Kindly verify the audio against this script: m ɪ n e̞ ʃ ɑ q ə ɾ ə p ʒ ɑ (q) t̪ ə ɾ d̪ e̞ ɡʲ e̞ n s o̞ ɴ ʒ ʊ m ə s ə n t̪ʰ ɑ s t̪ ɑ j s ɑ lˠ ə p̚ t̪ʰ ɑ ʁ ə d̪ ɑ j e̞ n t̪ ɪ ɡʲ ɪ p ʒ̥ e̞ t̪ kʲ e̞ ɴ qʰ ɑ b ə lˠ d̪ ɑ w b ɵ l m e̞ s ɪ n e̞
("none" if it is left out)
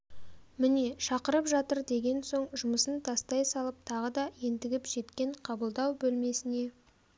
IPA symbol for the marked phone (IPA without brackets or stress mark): none